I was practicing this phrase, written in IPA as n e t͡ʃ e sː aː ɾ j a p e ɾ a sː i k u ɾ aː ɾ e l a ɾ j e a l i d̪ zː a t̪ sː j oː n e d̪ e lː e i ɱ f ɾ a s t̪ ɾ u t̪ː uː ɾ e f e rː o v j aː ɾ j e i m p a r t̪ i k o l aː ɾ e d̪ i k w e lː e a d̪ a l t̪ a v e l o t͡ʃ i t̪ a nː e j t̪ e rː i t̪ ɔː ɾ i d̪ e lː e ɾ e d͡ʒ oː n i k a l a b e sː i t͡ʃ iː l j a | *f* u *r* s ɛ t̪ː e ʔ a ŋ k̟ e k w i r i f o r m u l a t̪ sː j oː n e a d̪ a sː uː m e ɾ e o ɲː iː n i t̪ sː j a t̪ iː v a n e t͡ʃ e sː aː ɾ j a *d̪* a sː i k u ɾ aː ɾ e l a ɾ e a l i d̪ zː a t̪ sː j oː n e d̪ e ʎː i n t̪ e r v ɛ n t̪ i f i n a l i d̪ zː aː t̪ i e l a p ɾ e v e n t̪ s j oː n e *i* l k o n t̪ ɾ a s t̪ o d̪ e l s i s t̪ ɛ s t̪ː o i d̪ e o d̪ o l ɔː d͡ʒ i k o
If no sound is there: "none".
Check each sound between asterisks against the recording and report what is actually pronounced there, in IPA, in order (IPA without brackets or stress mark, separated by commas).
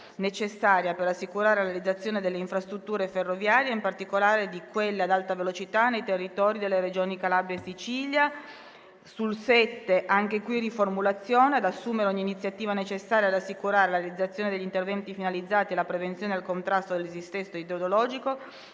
s, l, d̪, a